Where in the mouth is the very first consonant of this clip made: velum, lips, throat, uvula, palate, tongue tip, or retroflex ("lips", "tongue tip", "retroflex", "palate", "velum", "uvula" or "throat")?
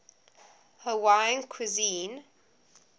throat